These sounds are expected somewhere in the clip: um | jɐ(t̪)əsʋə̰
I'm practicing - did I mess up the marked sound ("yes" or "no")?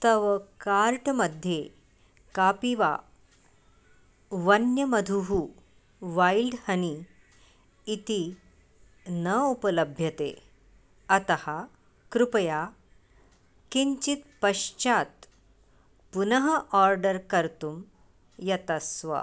no